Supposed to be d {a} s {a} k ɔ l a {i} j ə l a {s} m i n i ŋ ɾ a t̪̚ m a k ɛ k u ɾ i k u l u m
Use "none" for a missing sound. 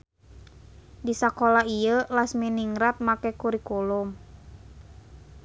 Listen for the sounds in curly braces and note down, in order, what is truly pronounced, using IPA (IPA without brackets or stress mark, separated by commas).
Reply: i, a, i, s